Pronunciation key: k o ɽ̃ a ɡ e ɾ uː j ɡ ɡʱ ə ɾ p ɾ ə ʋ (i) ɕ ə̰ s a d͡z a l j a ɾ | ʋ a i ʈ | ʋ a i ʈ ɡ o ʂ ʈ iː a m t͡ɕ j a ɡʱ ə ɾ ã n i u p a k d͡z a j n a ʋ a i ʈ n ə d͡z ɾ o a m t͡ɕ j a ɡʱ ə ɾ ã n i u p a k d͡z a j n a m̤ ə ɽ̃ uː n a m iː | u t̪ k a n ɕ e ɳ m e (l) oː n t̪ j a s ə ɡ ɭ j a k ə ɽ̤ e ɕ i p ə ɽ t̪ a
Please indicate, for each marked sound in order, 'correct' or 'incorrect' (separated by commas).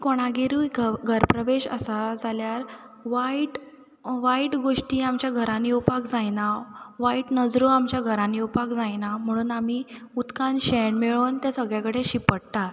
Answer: incorrect, incorrect